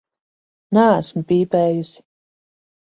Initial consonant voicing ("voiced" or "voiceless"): voiced